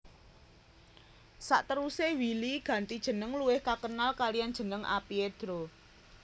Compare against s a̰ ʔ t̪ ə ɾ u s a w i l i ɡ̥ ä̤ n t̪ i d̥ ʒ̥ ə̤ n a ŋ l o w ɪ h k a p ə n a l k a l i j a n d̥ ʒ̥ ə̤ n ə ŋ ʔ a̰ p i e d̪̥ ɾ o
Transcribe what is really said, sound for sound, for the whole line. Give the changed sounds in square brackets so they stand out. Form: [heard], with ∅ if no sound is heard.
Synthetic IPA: s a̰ ʔ t̪ ə ɾ u s [e] w i l i ɡ̥ ä̤ n t̪ i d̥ ʒ̥ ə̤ n [ə] ŋ l [u] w ɪ h k a [k] ə n a l k a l i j a n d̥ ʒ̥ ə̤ n ə ŋ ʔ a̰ p i e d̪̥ ɾ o

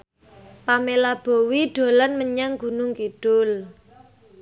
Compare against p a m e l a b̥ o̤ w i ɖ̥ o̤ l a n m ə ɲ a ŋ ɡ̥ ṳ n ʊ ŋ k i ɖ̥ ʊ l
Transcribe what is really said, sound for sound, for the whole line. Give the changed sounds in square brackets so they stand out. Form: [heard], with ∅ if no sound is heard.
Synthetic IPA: p a m e l a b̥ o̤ w i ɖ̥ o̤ l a n m ə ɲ a ŋ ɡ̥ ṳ n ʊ ŋ k i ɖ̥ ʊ l

